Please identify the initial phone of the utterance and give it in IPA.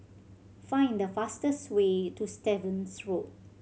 f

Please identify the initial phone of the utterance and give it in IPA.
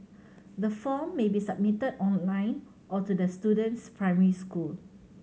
d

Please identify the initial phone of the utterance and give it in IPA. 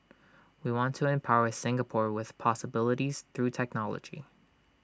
w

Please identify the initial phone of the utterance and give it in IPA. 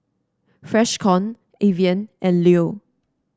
f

